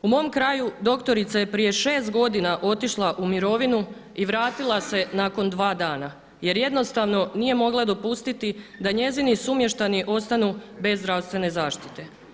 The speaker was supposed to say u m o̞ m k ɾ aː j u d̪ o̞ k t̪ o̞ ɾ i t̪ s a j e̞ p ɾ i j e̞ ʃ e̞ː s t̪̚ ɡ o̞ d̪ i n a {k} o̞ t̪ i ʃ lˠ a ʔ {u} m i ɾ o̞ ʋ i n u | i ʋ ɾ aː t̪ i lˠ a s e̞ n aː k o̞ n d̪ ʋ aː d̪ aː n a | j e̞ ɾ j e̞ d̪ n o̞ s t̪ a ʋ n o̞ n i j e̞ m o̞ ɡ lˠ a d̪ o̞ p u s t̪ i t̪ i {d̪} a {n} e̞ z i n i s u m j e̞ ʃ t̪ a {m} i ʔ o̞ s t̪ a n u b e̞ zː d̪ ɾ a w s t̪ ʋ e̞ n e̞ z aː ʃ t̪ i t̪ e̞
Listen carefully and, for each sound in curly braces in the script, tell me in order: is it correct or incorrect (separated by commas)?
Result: incorrect, correct, correct, incorrect, incorrect